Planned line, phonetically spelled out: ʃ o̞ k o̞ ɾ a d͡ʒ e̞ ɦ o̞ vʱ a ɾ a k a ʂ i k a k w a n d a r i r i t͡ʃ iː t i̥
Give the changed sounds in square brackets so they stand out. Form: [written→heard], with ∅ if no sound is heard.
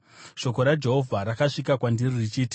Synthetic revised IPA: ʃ o̞ k o̞ ɾ a d͡ʒ e̞ ɦ o̞ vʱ a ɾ a k a ʂ i k a k w a n d [a→i] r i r i t͡ʃ iː t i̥